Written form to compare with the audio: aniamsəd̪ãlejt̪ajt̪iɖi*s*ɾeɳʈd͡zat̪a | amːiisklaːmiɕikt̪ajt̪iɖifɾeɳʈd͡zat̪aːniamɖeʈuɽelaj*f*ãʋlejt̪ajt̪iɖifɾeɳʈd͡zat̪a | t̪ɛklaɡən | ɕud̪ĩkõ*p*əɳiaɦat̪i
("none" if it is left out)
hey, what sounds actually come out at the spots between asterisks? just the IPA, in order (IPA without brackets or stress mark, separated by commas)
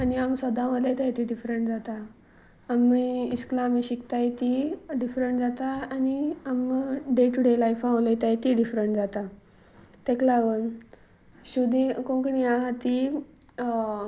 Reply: f, f, k